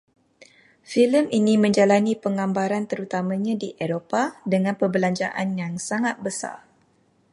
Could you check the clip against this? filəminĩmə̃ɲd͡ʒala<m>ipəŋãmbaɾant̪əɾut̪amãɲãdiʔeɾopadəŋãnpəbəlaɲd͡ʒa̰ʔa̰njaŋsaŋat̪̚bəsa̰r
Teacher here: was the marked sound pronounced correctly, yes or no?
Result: no